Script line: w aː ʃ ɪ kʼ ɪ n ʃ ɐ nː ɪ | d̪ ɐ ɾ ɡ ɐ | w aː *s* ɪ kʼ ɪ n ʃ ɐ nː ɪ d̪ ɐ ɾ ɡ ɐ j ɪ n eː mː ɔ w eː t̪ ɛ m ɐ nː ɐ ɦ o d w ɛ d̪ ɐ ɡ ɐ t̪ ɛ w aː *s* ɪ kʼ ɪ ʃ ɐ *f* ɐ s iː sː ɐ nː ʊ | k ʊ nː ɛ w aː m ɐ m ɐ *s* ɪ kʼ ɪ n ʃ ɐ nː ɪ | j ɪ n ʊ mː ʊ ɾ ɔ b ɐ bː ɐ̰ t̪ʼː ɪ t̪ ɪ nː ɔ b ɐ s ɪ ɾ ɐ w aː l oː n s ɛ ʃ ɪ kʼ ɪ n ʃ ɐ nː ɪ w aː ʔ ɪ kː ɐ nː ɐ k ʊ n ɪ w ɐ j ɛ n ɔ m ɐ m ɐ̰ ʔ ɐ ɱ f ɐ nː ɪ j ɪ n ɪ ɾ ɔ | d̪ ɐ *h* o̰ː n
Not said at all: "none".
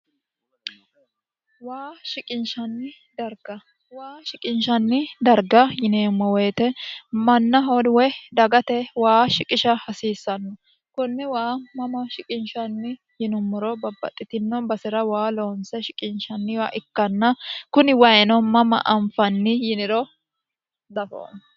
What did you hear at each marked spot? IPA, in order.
ʃ, ʃ, h, ʃ, f

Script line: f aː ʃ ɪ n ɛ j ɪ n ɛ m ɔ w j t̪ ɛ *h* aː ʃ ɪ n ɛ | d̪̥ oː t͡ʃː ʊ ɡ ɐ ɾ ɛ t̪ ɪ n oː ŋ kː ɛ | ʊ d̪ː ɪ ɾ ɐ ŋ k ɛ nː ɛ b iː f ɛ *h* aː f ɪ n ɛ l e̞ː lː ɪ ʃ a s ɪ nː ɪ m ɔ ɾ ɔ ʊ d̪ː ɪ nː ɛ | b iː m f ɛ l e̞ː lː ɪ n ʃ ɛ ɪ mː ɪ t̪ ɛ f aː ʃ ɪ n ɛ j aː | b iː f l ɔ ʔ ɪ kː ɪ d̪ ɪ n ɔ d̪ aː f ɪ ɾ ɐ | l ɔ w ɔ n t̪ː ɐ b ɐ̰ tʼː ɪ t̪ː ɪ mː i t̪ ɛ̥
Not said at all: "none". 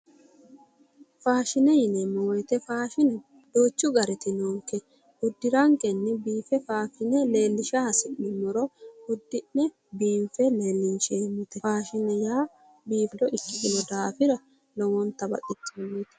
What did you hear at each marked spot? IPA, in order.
f, f

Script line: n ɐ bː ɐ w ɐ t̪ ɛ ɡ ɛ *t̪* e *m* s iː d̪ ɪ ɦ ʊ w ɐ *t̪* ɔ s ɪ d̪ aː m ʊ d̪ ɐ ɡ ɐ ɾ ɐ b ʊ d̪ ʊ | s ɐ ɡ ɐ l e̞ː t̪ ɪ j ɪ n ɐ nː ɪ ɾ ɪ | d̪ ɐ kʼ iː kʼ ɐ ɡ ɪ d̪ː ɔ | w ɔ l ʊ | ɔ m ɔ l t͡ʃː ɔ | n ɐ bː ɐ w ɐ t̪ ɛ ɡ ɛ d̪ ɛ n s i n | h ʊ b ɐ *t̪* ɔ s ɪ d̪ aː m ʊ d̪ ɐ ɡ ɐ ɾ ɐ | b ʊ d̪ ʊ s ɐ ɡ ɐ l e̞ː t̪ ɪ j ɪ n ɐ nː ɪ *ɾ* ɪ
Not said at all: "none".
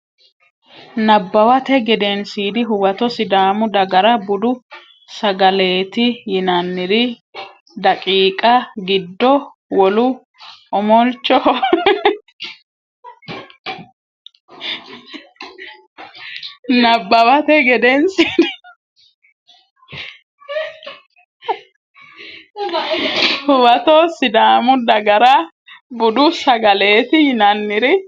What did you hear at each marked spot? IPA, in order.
d̪, n, t̪, t̪, ɾ

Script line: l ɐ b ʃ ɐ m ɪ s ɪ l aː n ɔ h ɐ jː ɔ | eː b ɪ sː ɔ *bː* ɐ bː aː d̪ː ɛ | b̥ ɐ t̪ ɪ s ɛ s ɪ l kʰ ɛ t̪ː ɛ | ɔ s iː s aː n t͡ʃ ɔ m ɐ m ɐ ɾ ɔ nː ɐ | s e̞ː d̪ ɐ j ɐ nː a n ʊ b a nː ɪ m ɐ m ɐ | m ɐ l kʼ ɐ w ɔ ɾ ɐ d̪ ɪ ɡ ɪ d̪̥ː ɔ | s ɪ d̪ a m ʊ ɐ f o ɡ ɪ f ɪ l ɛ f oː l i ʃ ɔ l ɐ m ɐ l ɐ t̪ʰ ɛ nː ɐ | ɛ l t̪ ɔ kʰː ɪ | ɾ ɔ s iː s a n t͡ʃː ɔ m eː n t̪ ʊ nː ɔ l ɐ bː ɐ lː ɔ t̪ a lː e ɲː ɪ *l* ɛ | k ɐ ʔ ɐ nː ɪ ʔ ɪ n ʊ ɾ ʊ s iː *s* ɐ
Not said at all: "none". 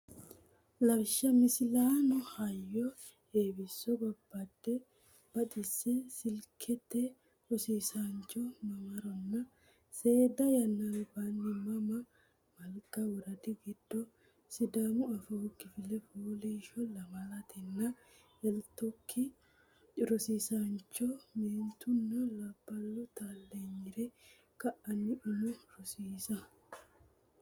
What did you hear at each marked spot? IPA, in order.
b, ɾ, s

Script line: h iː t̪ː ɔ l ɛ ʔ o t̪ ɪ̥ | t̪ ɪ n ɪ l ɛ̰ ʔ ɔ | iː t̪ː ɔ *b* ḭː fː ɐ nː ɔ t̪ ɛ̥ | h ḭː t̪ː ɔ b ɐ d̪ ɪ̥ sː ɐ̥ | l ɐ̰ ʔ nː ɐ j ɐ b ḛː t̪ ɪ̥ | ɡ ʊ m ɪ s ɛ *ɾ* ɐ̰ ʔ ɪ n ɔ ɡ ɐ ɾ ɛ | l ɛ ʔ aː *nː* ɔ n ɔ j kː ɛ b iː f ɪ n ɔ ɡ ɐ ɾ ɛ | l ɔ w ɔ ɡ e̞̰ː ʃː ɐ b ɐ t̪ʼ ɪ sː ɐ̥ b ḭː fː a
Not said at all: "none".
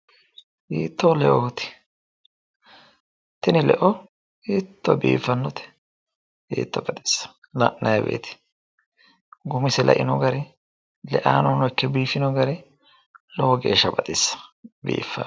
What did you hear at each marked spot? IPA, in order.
b, l, n

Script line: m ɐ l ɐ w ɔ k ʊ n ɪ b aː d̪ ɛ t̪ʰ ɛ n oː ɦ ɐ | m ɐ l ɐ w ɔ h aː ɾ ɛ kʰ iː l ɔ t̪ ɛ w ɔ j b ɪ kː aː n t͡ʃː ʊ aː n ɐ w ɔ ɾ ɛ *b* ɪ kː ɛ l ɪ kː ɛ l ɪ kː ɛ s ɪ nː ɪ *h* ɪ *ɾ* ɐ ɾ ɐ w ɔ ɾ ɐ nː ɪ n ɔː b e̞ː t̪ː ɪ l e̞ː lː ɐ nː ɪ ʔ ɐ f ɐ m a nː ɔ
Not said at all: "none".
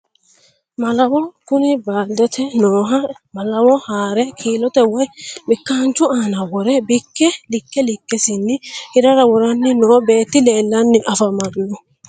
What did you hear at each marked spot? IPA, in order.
b, h, ɾ

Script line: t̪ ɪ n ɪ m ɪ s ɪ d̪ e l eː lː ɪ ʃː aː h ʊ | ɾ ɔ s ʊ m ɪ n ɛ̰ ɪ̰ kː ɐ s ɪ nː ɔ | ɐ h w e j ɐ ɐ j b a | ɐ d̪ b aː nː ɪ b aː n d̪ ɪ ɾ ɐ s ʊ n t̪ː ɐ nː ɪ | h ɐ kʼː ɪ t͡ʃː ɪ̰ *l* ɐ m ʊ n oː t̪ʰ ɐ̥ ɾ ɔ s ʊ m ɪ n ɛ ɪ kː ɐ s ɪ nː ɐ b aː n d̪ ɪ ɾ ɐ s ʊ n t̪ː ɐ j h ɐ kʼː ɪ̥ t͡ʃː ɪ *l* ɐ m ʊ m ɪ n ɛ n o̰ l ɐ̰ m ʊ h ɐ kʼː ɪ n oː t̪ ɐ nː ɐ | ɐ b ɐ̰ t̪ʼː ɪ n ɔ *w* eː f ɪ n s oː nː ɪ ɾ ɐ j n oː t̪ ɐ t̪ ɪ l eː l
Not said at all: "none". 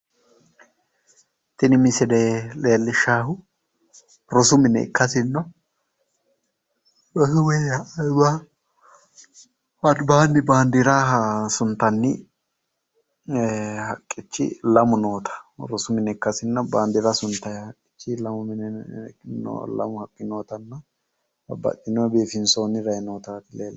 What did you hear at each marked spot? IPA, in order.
l, l, b

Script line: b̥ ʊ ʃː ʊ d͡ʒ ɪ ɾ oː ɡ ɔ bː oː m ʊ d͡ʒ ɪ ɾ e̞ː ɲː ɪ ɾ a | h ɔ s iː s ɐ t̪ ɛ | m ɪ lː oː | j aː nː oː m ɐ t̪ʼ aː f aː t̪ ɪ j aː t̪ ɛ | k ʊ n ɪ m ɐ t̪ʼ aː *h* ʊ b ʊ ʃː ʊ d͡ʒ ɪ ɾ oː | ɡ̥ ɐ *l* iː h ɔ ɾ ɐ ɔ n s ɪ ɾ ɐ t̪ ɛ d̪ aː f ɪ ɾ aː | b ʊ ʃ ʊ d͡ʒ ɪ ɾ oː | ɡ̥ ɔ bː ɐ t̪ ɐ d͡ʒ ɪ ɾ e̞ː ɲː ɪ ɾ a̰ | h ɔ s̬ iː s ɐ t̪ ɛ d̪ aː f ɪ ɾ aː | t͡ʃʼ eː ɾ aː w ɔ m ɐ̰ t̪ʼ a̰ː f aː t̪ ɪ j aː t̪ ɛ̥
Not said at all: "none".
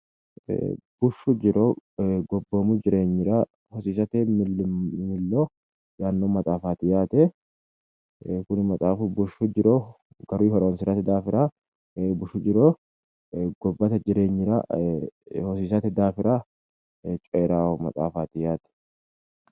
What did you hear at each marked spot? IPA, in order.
f, ɾ

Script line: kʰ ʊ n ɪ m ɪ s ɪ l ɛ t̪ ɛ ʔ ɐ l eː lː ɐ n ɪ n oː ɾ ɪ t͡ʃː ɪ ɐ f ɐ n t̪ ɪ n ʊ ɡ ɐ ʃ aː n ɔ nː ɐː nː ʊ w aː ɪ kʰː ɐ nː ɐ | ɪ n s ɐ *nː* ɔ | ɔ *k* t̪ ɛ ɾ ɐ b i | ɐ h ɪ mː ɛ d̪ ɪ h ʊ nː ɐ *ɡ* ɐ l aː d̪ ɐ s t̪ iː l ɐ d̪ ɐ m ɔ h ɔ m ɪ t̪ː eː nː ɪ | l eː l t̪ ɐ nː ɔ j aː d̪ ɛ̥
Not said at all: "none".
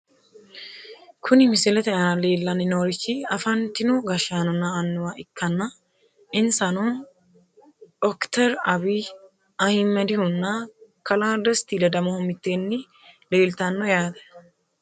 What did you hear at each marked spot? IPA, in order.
n, k, k

